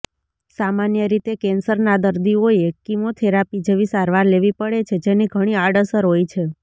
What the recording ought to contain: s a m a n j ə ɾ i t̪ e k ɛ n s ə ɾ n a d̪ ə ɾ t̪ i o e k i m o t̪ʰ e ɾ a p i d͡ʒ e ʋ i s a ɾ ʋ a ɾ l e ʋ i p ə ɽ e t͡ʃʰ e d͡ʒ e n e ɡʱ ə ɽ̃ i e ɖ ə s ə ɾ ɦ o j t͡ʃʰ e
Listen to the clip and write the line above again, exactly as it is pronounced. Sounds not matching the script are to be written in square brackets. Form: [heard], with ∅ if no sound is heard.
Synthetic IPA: s a m a n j ə ɾ i t̪ e k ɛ n s ə ɾ n a d̪ ə ɾ [d̪] i o e k i m o t̪ʰ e ɾ a p i d͡ʒ e ʋ i s a ɾ ʋ a ɾ l e ʋ i p ə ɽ e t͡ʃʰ e d͡ʒ e n [i] ɡʱ ə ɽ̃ i [a] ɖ ə s ə ɾ ɦ o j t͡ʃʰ e